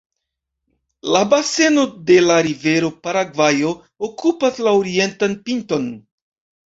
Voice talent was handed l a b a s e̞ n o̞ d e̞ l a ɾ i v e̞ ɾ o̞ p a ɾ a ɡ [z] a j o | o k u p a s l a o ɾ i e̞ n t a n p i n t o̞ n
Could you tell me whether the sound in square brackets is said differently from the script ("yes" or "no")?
yes